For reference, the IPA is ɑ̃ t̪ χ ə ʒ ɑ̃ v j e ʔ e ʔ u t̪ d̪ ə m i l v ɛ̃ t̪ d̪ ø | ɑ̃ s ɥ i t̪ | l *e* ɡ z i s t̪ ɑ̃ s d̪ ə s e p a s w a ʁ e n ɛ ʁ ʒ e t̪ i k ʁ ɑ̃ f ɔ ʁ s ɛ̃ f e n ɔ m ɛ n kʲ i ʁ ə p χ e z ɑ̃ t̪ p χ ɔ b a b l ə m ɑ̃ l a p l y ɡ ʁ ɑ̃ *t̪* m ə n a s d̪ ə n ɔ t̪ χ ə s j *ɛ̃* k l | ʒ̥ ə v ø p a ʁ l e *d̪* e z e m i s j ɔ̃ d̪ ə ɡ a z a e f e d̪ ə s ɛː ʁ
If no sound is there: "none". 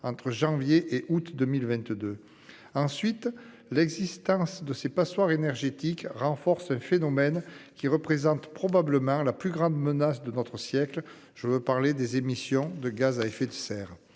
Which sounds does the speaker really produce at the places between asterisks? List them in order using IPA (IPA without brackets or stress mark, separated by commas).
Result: ɛ, d̪, ɛ, d̪